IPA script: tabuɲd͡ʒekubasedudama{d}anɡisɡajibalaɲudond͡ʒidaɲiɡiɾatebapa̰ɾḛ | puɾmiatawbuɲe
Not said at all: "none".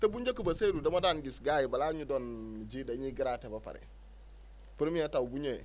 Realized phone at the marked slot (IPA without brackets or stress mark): d